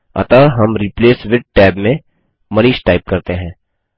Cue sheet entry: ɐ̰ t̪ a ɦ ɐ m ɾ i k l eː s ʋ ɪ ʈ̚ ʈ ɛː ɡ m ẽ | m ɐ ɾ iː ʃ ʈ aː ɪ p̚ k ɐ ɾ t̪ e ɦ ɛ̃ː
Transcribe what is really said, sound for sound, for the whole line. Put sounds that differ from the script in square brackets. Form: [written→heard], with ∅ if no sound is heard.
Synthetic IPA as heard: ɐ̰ t̪ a ɦ ɐ m ɾ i [k→p] l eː s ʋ ɪ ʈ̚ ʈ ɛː [ɡ→b] m ẽ | m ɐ ɾ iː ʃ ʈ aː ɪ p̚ k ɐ ɾ t̪ e ɦ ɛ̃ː

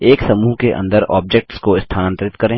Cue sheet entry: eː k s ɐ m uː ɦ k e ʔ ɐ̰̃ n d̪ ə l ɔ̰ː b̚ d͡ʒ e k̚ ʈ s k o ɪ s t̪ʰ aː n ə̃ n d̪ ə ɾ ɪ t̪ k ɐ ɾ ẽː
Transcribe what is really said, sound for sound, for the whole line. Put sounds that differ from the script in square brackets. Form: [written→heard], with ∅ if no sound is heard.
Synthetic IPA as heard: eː k s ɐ m uː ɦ k e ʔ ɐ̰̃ n d̪ ə [l→ɾ] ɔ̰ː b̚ d͡ʒ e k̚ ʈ s k o ɪ s t̪ʰ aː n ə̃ n [d̪→t̪] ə ɾ ɪ t̪ k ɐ ɾ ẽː

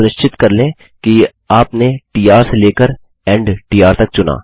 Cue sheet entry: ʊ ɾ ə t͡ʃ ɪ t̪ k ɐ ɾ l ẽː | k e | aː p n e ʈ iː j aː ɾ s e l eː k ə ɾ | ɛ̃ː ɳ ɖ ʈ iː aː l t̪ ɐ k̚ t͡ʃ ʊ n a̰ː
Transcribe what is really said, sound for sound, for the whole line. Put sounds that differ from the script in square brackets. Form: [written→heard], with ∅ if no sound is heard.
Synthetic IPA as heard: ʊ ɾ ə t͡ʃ ɪ t̪ k ɐ ɾ l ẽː | k [e→i] | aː p n e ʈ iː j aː ɾ s e l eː k ə ɾ | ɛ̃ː ɳ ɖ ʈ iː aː [l→ɾ] t̪ ɐ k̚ t͡ʃ ʊ n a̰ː

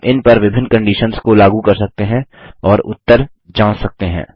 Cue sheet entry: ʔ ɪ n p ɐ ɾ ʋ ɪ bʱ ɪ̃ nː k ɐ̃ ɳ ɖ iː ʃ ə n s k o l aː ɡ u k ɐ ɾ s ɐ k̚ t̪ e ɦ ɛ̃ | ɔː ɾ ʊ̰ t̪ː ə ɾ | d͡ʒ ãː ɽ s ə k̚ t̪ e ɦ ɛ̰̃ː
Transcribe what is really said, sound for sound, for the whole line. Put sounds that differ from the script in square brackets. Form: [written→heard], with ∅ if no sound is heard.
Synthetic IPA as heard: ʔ ɪ n p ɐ ɾ ʋ ɪ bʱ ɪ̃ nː k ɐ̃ ɳ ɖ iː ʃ ə n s k o l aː ɡ u k ɐ ɾ s ɐ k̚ t̪ e ɦ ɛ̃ | ɔː ɾ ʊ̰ t̪ː ə ɾ | d͡ʒ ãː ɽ s [ə→ɐ] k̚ t̪ e ɦ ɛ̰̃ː

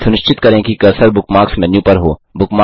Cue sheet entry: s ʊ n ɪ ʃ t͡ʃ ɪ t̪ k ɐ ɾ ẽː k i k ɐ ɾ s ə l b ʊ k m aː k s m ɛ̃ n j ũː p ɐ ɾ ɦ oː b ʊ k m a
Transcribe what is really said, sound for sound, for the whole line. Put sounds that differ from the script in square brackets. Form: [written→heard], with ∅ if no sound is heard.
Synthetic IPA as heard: s ʊ n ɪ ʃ t͡ʃ ɪ t̪ k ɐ ɾ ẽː k i k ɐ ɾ s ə [l→ɾ] b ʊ k m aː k s m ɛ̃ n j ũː p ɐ ɾ ɦ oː b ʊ k m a

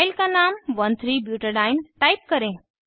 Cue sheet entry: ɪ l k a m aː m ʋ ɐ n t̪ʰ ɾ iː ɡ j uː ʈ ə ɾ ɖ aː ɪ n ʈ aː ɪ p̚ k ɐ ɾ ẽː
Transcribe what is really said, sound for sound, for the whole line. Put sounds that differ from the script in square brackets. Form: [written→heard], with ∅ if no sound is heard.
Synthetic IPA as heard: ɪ l k a [m→n] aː m ʋ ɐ n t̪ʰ ɾ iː [ɡ→b] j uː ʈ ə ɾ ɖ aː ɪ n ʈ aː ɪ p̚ k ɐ ɾ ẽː

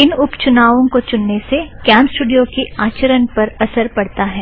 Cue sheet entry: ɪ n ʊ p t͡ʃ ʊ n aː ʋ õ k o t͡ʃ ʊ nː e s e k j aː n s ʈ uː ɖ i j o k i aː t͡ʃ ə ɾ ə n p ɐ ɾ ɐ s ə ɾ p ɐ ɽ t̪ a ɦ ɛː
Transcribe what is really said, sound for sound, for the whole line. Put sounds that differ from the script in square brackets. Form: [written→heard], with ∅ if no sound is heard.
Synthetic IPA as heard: ɪ n ʊ p t͡ʃ ʊ n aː ʋ õ k o t͡ʃ ʊ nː e s e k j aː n s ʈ uː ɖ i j o k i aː t͡ʃ ə ɾ ə n p ɐ ɾ ɐ s ə ɾ p ɐ ɽ t̪ a ɦ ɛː

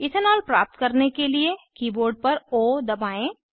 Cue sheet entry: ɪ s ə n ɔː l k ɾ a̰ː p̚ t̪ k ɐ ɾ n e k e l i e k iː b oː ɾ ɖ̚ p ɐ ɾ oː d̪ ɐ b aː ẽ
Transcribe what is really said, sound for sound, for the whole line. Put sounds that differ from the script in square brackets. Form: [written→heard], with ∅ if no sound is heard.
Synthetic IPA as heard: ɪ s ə n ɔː l [k→p] ɾ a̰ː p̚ t̪ k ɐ ɾ n e k e l i e k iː b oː ɾ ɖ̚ p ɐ ɾ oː d̪ ɐ b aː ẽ

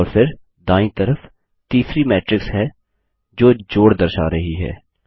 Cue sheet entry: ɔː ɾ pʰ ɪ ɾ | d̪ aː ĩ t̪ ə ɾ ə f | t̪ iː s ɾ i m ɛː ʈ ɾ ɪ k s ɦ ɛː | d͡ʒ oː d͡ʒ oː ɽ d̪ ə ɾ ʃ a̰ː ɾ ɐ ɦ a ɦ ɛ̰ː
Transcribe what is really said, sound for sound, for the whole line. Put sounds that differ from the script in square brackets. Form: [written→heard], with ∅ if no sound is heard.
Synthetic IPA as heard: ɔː ɾ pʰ ɪ ɾ | d̪ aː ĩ t̪ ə ɾ ə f | t̪ iː s ɾ i m ɛː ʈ ɾ ɪ k s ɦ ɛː | d͡ʒ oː d͡ʒ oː ɽ d̪ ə ɾ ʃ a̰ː ɾ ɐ ɦ [a→i] ɦ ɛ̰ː

